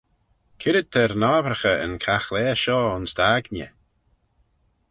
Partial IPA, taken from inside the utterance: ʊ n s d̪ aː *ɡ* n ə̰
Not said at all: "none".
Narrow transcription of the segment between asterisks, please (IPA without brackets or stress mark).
ɡ